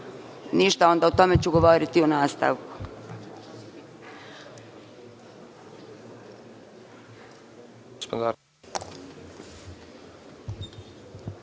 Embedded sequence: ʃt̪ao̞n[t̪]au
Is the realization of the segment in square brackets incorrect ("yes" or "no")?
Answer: yes